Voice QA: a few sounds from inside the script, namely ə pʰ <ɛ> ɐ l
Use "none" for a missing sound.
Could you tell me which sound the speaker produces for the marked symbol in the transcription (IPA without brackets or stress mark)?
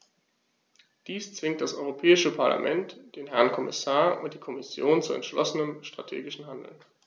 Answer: a